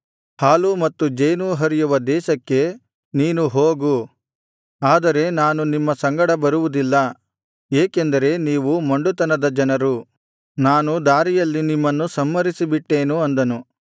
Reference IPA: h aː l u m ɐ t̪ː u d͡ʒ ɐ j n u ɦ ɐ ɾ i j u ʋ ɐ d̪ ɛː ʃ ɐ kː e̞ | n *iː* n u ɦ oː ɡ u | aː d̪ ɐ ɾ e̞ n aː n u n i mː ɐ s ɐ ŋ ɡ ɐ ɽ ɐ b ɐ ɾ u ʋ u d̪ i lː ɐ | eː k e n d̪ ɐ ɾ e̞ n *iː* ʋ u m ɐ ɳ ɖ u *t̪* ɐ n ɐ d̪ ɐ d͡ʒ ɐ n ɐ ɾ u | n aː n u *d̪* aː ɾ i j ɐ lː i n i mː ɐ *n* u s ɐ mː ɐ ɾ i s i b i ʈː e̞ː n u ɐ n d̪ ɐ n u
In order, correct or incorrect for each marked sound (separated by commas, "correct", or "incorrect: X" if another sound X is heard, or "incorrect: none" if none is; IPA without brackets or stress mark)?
correct, correct, correct, correct, incorrect: nː